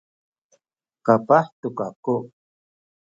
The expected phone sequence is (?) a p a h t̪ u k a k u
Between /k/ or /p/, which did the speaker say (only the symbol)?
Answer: k